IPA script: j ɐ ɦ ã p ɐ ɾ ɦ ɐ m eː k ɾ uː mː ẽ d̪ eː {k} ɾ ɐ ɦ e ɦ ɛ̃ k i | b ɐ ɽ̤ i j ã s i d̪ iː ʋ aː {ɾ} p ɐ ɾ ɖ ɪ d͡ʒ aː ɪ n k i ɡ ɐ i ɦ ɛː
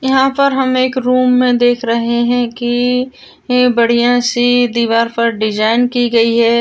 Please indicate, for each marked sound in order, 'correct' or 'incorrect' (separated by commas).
incorrect, correct